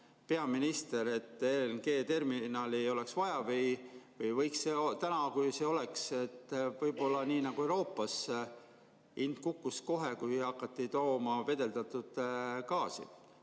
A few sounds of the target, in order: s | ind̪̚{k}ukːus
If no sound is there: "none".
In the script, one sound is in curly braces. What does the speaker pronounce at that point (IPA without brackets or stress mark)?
k